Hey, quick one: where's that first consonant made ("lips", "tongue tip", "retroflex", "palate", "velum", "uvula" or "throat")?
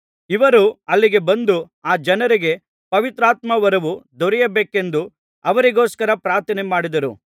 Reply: lips